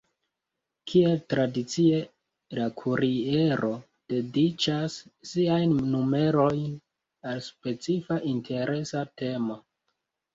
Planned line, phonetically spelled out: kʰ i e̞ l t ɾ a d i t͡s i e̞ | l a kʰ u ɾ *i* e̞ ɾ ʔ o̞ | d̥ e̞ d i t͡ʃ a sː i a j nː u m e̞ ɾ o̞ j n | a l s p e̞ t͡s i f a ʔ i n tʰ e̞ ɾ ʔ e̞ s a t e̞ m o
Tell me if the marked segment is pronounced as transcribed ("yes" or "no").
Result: yes